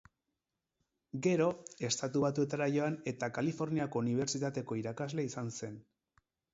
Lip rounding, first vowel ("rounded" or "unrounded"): unrounded